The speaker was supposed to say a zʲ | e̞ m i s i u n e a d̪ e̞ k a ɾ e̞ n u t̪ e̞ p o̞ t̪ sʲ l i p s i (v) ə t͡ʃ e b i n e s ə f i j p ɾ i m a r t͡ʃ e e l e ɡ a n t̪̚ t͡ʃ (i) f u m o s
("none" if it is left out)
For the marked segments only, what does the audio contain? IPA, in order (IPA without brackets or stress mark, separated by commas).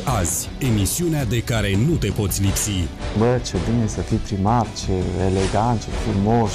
b, e